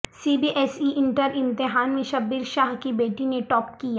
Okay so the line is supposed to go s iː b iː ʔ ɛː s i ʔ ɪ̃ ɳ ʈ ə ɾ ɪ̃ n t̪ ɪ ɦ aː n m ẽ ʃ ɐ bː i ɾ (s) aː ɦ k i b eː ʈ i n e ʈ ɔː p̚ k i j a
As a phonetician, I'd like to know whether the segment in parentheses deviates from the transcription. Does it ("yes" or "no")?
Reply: yes